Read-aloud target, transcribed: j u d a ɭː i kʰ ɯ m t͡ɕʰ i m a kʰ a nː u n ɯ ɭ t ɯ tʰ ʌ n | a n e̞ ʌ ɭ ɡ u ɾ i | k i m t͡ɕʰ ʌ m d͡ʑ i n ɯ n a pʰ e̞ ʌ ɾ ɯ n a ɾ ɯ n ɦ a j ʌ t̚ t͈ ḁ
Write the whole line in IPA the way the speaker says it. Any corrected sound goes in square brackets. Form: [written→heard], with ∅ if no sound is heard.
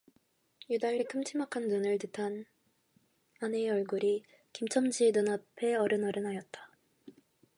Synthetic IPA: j u d a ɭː i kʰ ɯ m t͡ɕʰ i m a kʰ a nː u n ɯ ɭ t ɯ tʰ [ʌ→a] n | a n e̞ ʌ ɭ ɡ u ɾ i | k i m t͡ɕʰ ʌ m d͡ʑ i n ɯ n a pʰ e̞ ʌ ɾ ɯ n [a→ʌ] ɾ ɯ n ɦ a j ʌ t̚ t͈ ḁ